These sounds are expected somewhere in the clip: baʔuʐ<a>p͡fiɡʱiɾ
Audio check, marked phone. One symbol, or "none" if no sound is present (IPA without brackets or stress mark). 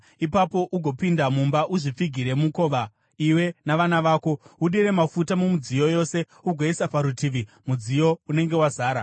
i